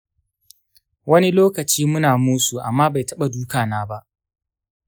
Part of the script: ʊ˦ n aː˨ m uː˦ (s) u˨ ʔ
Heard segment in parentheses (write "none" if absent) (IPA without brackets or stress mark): s